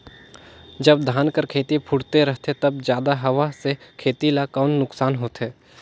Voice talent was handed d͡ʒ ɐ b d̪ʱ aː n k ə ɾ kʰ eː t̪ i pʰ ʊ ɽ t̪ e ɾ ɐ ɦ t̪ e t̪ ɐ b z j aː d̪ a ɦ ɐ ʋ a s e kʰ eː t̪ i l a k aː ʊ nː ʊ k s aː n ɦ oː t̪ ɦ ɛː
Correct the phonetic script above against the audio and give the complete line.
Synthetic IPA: d͡ʒ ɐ b d̪ʱ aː n k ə ɾ kʰ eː t̪ i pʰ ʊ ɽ t̪ e ɾ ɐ ɦ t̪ e t̪ ɐ b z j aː d̪ a ɦ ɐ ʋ a s e kʰ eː t̪ i l a k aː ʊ nː ʊ k s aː n ɦ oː t̪ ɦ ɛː